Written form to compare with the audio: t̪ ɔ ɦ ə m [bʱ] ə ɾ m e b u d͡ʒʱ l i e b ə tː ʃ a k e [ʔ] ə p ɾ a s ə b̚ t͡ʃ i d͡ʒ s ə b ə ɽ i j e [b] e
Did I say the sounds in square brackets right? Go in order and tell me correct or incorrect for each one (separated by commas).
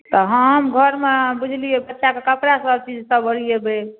incorrect, incorrect, correct